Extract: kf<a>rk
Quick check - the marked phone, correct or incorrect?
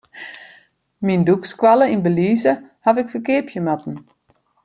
incorrect